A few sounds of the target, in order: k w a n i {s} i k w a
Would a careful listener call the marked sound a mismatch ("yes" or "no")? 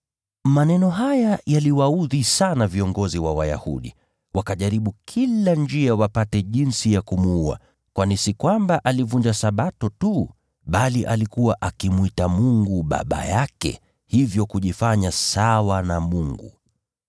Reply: no